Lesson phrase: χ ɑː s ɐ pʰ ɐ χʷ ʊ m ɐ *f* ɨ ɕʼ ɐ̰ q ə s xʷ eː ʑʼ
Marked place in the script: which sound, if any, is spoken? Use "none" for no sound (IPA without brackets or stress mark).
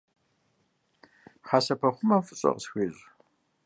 f